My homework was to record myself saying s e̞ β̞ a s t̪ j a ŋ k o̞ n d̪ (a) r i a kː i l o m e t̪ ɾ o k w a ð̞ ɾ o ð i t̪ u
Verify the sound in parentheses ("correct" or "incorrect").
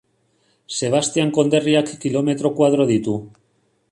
incorrect